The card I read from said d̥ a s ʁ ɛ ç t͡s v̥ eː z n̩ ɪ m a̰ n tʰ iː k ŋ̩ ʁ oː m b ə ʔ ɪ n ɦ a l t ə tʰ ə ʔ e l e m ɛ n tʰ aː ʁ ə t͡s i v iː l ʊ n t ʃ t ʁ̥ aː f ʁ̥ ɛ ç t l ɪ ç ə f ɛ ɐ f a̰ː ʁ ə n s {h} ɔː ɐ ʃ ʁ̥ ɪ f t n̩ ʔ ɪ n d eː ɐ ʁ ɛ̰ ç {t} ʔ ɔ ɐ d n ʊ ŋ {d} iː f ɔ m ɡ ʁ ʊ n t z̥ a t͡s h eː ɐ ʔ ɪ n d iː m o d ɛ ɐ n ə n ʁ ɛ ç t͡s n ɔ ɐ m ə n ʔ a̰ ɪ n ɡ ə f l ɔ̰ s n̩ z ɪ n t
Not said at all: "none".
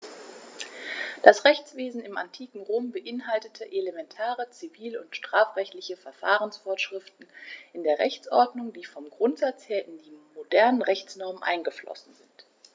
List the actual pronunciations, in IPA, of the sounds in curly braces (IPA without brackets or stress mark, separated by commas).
f, t͡s, d